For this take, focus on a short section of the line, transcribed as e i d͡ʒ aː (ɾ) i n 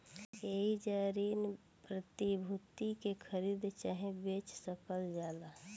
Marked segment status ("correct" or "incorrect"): correct